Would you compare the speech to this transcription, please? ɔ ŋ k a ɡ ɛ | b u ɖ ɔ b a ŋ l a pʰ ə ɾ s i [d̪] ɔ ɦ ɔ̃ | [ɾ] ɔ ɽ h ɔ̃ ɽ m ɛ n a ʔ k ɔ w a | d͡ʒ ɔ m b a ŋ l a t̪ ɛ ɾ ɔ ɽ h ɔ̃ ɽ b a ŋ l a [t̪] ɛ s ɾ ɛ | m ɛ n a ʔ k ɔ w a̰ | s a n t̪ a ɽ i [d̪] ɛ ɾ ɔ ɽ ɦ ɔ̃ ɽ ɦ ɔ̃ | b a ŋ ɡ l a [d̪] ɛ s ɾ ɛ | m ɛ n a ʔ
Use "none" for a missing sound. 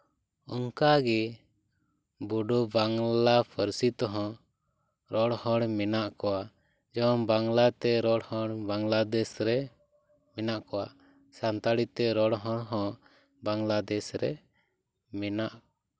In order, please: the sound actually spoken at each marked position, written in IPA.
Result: t̪, ɾ, d̪, t̪, d̪

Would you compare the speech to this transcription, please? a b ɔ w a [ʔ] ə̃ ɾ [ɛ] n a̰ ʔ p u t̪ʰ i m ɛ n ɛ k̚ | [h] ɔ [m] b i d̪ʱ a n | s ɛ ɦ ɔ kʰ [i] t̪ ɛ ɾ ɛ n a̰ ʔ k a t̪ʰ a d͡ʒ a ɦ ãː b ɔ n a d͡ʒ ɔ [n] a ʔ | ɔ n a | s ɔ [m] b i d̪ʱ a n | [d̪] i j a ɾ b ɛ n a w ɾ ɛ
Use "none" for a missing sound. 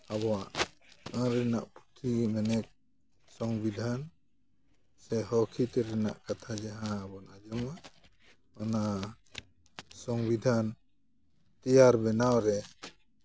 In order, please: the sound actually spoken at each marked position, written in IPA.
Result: ʔ, ɛ, s, ŋ, i, m, ŋ, t̪

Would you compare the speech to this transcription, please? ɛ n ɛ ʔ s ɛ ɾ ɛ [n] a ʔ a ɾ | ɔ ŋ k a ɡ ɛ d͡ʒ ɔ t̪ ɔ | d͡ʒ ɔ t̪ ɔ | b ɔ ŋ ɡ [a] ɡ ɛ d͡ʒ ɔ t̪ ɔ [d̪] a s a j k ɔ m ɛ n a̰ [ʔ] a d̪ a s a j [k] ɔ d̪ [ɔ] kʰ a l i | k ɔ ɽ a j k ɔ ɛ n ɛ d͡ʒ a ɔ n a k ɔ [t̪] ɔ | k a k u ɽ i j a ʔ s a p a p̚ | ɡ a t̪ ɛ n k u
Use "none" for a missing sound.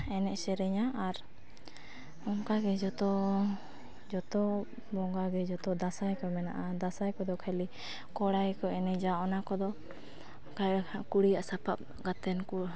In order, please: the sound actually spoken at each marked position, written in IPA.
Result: ɲ, a, d̪, ʔ, k, ɔ, d̪

